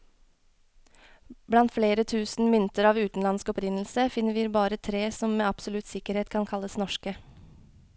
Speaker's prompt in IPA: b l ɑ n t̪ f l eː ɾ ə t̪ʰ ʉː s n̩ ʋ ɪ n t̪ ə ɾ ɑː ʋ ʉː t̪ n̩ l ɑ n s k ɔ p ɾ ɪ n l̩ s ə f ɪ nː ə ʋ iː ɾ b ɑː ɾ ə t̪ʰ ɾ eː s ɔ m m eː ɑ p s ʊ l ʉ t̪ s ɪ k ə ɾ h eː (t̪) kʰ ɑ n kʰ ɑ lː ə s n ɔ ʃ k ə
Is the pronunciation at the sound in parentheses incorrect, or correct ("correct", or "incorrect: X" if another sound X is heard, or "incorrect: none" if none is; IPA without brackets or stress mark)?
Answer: correct